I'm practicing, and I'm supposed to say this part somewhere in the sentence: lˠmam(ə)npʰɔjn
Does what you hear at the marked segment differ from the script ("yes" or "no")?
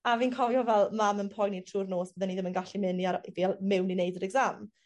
no